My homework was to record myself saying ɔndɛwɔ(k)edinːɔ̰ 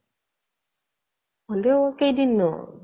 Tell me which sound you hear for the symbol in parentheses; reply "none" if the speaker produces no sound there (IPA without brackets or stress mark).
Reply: k